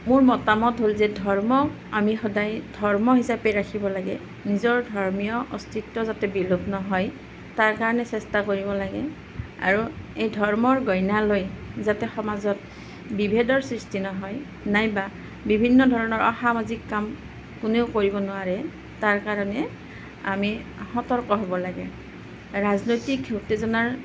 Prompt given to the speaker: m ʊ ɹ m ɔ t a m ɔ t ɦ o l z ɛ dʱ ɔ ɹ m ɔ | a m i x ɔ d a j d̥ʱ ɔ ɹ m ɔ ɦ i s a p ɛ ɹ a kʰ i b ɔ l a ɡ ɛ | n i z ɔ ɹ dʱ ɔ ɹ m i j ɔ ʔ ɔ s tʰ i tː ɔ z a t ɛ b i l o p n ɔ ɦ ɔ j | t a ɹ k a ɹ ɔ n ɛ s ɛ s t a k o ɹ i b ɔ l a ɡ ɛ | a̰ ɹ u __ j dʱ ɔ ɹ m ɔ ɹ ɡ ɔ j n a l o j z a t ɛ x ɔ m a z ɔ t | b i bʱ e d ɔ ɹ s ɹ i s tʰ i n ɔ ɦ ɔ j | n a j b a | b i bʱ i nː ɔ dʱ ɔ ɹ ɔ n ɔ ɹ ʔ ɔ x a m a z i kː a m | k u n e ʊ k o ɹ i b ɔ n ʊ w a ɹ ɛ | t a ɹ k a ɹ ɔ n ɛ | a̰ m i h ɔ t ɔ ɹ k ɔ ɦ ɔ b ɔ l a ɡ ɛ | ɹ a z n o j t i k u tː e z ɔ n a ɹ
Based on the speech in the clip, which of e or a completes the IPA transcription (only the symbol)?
e